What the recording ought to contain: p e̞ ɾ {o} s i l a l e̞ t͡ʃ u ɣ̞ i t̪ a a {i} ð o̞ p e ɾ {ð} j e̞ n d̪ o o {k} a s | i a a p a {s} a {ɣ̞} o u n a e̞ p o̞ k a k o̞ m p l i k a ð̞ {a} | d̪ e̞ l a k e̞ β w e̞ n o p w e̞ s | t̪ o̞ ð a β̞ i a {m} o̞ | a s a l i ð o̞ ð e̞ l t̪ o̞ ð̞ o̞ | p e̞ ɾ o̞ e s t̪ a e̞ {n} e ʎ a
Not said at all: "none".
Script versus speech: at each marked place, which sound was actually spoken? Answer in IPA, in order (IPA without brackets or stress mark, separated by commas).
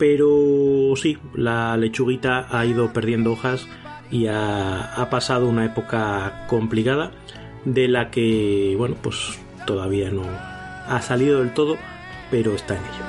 o, i, ð, x, s, ð̞, a, n, n